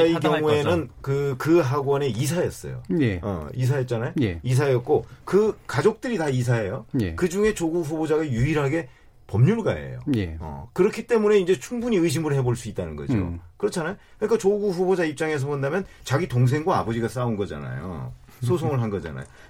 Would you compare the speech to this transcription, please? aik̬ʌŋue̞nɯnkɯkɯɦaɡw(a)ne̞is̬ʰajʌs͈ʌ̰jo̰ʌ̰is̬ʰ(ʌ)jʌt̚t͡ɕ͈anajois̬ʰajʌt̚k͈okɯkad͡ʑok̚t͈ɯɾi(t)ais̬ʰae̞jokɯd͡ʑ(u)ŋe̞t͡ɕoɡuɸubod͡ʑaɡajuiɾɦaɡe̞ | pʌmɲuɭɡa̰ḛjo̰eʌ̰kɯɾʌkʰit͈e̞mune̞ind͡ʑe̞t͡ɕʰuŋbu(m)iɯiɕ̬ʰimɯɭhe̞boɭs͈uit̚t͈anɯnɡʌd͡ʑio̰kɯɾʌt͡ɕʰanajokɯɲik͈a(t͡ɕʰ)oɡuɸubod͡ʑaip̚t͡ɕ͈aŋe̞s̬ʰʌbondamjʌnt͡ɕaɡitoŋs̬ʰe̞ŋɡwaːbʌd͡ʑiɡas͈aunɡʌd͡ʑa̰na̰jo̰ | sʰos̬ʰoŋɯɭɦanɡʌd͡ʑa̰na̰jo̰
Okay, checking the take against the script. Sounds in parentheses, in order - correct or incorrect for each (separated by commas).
incorrect, incorrect, correct, correct, incorrect, incorrect